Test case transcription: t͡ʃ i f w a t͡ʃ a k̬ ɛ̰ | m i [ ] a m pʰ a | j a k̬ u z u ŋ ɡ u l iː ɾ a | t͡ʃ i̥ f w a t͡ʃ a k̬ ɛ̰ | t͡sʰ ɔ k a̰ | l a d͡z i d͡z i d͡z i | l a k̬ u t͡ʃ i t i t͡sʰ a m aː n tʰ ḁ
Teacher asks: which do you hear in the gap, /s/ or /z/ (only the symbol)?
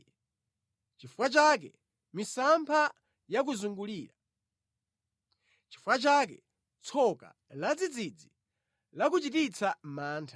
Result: s